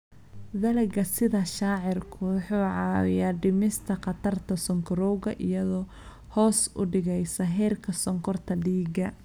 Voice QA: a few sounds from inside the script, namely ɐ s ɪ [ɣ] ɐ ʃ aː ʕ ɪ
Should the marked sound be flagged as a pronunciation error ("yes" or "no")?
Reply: yes